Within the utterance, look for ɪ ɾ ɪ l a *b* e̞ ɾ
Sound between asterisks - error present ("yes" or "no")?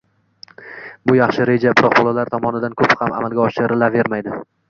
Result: yes